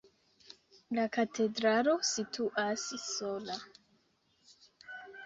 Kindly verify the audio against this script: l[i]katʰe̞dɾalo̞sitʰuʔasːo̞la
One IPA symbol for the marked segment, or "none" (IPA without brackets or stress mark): a